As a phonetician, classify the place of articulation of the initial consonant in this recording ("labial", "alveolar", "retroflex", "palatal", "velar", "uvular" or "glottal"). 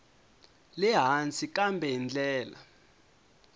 alveolar